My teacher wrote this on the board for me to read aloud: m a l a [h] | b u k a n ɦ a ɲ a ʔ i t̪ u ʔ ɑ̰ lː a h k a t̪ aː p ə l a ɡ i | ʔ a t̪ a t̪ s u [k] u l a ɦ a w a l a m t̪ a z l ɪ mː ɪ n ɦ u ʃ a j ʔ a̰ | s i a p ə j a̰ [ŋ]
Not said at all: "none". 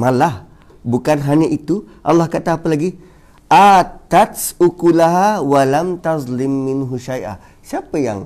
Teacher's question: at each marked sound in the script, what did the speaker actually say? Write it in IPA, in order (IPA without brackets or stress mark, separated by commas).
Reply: h, k, ŋ